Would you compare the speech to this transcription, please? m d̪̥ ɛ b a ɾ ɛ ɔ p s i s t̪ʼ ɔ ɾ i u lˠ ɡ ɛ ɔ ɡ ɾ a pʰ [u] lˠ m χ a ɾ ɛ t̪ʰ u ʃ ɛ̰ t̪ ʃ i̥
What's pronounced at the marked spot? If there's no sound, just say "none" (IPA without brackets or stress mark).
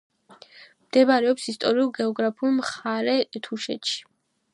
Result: u